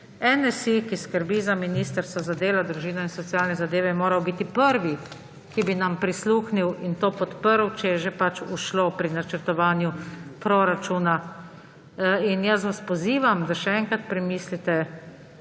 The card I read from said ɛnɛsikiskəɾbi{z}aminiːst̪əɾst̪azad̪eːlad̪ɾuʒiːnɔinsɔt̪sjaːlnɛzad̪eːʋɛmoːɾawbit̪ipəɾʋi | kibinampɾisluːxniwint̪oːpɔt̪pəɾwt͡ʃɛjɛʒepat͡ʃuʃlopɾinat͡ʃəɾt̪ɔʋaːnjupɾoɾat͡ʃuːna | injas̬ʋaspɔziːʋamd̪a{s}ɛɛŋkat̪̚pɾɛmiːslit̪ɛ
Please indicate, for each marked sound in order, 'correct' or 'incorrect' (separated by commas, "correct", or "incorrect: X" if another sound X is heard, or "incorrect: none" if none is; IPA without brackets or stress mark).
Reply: correct, incorrect: ʃ